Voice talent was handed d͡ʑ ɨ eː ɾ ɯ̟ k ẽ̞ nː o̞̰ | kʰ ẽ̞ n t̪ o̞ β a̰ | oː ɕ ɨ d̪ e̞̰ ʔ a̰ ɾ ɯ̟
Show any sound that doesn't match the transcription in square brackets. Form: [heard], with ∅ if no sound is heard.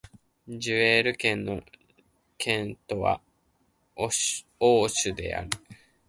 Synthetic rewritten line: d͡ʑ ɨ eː ɾ ɯ̟ k ẽ̞ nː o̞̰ | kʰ ẽ̞ n t̪ o̞ β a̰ | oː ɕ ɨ d̪ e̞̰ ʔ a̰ ɾ ɯ̟

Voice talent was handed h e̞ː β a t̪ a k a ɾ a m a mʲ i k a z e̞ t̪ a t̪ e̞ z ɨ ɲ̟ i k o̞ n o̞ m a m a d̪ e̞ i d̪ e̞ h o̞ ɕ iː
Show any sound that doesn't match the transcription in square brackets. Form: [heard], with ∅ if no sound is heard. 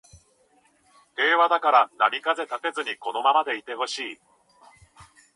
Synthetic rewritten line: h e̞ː β a [d̪] a k a ɾ a [n] a mʲ i k a z e̞ t̪ a t̪ e̞ z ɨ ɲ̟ i k o̞ n o̞ m a m a d̪ e̞ i [t̪] e̞ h o̞ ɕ iː

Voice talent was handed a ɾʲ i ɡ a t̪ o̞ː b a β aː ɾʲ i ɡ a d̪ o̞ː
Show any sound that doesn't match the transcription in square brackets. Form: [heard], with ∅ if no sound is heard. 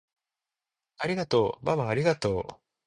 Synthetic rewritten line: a ɾʲ i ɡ a t̪ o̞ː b a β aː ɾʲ i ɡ a [t̪] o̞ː

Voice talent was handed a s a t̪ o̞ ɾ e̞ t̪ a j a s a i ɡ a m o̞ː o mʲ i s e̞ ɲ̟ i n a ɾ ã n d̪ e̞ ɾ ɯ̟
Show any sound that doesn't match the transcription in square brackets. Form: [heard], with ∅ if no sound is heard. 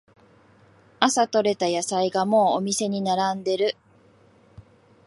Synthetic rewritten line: a s a t̪ o̞ ɾ e̞ t̪ a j a s a i ɡ a m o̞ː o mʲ i s e̞ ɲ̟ i n a ɾ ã n d̪ e̞ ɾ ɯ̟

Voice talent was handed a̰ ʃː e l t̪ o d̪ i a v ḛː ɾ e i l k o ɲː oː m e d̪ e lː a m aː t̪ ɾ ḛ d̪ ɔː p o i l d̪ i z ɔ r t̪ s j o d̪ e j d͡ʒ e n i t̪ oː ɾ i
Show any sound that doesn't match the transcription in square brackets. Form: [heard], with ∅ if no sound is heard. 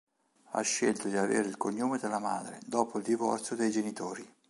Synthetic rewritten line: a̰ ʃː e l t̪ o d̪ i a v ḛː ɾ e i l k o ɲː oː m e d̪ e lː a m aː [d̪] ɾ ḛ d̪ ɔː p o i l d̪ i [v] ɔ r t̪ s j o d̪ e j d͡ʒ e n i t̪ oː ɾ i

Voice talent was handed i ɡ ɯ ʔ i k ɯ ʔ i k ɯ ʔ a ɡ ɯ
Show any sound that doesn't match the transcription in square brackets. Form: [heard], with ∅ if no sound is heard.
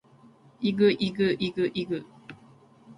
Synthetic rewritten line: i ɡ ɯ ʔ i [ɡ] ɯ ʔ i [ɡ] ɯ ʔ [i] ɡ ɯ

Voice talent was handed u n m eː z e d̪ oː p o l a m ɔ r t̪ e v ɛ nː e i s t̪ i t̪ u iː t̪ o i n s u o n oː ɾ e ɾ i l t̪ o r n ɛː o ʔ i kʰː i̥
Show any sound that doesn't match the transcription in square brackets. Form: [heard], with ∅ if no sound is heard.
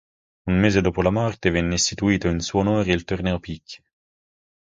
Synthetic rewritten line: u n m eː z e d̪ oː p o l a m ɔ r t̪ e v ɛ nː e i s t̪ i t̪ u iː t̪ o i n s u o n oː ɾ e [∅] i l t̪ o r n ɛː o [p] i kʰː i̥

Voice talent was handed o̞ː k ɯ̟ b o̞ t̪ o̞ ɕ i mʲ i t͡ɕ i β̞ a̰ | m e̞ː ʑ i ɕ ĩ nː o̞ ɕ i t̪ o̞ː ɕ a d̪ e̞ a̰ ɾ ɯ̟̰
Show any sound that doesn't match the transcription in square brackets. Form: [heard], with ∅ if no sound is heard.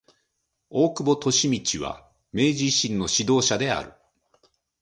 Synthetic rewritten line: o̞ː k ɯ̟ b o̞ t̪ o̞ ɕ i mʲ i t͡ɕ i β̞ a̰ | m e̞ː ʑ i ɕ ĩ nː o̞ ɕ i [d̪] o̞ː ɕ a d̪ e̞ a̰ ɾ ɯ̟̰

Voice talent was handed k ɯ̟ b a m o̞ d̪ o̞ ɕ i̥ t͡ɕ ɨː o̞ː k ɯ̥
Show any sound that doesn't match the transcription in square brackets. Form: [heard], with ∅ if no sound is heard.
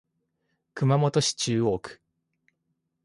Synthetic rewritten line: k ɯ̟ [m] a m o̞ [t̪] o̞ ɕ i̥ t͡ɕ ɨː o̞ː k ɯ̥

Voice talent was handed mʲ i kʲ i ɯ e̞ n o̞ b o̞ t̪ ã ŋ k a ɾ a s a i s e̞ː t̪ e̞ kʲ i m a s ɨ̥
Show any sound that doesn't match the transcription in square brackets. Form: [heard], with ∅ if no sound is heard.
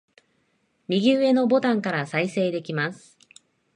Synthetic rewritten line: mʲ i [ɡʲ] i ɯ e̞ n o̞ b o̞ t̪ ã ŋ k a ɾ a s a i s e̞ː [d̪] e̞ kʲ i m a s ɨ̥

